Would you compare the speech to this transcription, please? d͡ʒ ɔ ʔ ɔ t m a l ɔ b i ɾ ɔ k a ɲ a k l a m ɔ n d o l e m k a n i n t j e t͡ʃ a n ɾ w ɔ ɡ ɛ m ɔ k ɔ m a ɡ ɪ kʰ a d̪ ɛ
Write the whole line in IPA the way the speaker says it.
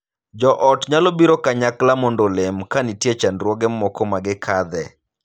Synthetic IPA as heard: d͡ʒ ɔ ʔ ɔ t ɲ a l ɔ b i ɾ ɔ k a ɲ a k l a m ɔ n d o l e m k a n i t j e t͡ʃ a n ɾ w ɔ ɡ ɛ m ɔ k ɔ m a ɡ ɪ kʰ a d̪ ɛ